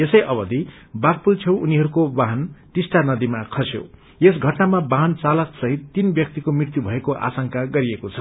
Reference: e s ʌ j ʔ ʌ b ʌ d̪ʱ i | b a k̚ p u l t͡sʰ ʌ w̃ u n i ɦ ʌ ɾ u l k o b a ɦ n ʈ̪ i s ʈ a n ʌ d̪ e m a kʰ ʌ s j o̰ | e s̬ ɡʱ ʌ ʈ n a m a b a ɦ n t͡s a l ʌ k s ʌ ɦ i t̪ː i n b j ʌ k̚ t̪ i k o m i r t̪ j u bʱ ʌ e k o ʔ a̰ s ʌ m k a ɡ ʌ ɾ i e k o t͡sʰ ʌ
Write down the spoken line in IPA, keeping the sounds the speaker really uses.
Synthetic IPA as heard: e s ʌ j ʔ ʌ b ʌ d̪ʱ i | b a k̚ p u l t͡sʰ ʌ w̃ u n i ɦ ʌ ɾ u k o b a ɦ n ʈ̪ i s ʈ a n ʌ d̪ i m a kʰ ʌ s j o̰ | e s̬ ɡʱ ʌ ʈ n a m a b a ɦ n t͡s a l ʌ k s ʌ ɦ i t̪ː i n b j ʌ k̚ t̪ i k o m i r t̪ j u bʱ ʌ e k o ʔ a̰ s ʌ ŋ k a ɡ ʌ ɾ i e k o t͡sʰ ʌ